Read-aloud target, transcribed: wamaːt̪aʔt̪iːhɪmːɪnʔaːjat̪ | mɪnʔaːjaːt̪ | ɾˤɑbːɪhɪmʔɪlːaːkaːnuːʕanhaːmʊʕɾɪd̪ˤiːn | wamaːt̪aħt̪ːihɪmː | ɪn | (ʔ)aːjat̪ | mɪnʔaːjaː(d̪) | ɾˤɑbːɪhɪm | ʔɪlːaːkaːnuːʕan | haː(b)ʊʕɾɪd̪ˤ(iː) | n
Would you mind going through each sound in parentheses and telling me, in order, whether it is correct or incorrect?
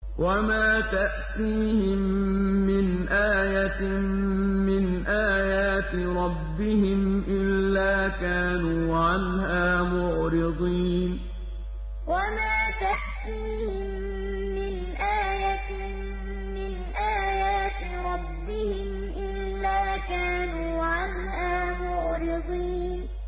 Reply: correct, incorrect: t̪, incorrect: m, correct

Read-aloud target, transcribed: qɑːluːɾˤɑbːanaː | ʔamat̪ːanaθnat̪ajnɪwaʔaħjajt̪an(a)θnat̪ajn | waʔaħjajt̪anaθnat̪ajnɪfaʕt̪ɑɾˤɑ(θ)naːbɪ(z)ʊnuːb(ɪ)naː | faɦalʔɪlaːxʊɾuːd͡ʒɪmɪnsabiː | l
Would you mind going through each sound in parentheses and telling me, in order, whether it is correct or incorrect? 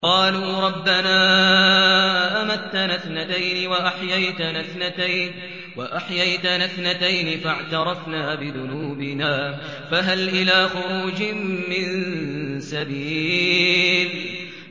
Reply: correct, incorrect: f, incorrect: ð, correct

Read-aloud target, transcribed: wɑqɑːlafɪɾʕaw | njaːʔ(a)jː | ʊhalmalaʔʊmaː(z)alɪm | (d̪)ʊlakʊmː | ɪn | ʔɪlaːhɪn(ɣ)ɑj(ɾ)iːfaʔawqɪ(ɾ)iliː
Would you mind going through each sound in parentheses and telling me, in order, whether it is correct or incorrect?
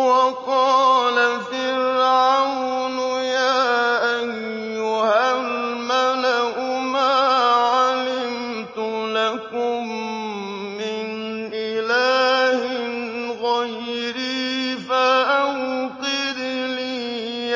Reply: correct, incorrect: ʕ, incorrect: t̪, correct, correct, correct

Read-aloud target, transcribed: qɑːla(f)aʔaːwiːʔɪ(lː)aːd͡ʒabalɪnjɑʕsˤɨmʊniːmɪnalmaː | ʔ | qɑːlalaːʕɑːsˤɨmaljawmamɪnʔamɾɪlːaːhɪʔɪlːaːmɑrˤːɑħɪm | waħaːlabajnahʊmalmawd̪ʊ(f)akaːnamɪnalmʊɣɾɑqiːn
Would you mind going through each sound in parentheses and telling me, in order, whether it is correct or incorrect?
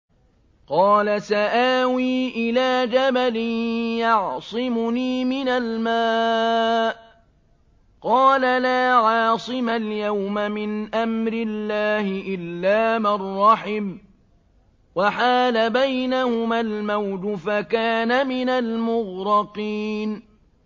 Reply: incorrect: s, incorrect: l, correct

